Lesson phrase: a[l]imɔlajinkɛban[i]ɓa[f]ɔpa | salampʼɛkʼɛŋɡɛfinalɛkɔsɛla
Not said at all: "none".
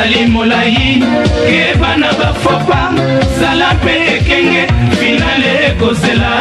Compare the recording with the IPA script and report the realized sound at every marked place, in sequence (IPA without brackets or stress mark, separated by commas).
l, a, f